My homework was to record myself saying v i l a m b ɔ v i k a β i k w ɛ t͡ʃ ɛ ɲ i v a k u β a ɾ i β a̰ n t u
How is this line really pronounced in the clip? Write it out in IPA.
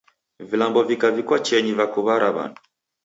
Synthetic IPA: v i l a m b ɔ v i k a v i k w a t͡ʃ ɛ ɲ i v a k u β a ɾ a β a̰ n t u